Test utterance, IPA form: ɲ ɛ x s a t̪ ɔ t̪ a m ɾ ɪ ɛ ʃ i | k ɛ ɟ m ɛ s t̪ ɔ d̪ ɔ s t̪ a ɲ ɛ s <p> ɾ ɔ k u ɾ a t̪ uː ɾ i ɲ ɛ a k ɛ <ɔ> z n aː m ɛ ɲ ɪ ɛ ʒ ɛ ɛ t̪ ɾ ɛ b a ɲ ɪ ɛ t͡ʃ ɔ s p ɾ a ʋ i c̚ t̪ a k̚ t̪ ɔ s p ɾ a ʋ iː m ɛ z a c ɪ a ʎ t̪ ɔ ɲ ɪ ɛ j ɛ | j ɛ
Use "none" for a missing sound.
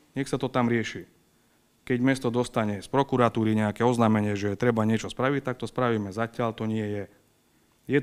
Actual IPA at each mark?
p, ɔ

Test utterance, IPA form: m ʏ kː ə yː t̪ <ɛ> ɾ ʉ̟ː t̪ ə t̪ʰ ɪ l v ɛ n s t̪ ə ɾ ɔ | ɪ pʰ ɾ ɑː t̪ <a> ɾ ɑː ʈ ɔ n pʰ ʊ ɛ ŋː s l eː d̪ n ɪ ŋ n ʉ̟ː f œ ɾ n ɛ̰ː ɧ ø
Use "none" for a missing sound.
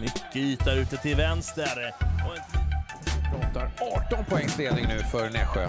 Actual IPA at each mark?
a, a

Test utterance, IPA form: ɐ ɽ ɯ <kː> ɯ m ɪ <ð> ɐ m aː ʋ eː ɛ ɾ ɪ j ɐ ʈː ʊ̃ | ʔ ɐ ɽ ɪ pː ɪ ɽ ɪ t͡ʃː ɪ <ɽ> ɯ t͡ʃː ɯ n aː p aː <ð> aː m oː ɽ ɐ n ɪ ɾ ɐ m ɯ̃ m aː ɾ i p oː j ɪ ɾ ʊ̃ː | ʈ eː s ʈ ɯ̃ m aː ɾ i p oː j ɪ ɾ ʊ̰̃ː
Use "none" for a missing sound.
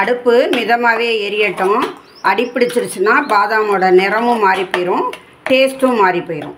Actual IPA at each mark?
pː, ð, ɾ, ð

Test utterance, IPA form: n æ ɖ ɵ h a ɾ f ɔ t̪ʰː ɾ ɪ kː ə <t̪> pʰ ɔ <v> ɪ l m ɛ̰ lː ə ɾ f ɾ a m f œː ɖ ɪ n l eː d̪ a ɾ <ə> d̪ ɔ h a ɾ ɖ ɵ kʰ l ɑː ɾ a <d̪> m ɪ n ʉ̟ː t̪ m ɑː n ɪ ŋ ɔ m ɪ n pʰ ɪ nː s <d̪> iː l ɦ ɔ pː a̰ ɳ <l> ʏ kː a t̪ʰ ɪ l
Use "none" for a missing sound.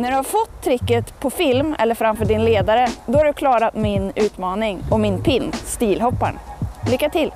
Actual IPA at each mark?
t̪, f, ə, t̪, t̪, l

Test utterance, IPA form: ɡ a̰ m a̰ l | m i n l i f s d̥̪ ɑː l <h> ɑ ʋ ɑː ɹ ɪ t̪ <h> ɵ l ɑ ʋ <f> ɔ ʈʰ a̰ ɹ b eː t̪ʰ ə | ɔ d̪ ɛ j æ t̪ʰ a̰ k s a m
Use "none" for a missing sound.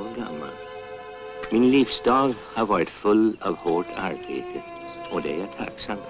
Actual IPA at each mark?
h, f, h

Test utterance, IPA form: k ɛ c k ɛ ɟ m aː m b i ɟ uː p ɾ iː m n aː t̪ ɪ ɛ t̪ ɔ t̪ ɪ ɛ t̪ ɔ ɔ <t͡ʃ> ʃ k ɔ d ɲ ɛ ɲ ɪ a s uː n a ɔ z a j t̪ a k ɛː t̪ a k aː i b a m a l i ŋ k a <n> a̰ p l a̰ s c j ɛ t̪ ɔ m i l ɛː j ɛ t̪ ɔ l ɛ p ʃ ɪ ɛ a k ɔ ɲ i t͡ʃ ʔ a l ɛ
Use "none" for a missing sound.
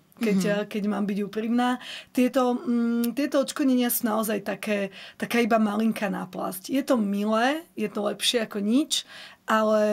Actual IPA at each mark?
t͡ʃ, n

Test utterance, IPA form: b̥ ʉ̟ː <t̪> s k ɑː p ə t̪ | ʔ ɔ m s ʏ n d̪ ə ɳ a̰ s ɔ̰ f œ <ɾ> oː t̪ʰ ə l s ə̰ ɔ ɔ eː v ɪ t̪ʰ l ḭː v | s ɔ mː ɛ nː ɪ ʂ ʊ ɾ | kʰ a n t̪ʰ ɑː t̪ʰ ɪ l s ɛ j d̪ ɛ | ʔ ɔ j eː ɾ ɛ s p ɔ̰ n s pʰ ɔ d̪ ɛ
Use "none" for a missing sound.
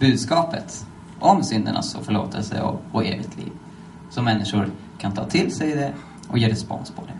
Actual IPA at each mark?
d̪, ɭ

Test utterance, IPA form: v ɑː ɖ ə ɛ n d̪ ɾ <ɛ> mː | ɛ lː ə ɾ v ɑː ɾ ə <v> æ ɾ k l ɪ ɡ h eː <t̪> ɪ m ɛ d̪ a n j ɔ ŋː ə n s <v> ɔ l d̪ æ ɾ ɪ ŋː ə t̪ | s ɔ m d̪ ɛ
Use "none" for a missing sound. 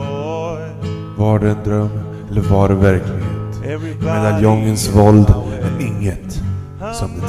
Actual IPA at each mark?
œ, v, t̪, v

